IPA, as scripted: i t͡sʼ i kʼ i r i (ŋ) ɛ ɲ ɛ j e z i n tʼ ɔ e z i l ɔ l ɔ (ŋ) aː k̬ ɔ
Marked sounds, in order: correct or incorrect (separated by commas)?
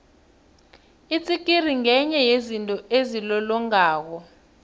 correct, correct